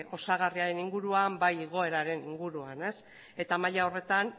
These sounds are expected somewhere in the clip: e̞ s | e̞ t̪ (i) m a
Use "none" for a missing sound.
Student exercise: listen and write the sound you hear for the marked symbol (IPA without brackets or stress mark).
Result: a